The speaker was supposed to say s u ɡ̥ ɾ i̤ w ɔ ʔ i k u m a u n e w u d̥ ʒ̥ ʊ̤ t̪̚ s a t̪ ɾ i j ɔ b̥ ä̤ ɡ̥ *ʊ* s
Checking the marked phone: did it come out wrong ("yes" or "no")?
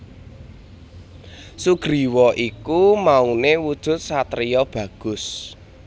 no